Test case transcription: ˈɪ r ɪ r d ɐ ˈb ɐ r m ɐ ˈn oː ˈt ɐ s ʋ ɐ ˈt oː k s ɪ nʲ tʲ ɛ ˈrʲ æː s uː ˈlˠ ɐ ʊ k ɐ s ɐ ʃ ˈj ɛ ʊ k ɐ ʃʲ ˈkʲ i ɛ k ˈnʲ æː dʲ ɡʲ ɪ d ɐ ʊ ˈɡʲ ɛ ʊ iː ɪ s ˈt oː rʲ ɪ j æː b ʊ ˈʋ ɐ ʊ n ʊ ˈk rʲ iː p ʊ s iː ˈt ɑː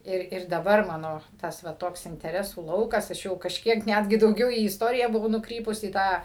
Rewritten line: ˈɪ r ɪ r d ɐ ˈb ɐ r m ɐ ˈn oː ˈt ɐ s ʋ ɐ ˈt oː k s ɪ nʲ tʲ ɛ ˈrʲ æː s uː ˈlˠ ɐ ʊ k ɐ s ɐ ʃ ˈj ɛ ʊ k ɐ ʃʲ ˈkʲ i ɛ k ˈnʲ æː dʲ ɡʲ ɪ d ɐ ʊ ˈɡʲ ɛ ʊ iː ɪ s ˈt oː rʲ ɪ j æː b ʊ ˈʋ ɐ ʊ n ʊ ˈk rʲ iː p ʊ s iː ˈt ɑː